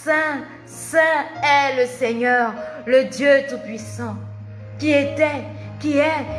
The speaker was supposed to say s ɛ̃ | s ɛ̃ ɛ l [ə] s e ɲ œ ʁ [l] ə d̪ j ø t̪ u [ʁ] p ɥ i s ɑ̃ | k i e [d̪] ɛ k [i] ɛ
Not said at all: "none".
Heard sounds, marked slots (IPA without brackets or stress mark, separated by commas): ə, l, none, t̪, i